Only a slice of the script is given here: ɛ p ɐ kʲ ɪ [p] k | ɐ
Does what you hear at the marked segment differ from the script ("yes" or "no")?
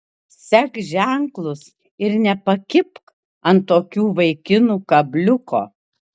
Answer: no